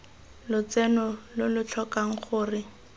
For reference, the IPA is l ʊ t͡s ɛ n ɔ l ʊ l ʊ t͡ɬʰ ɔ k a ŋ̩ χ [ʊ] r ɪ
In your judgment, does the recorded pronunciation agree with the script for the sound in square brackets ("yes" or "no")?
no